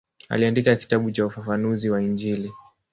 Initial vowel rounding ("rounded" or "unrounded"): unrounded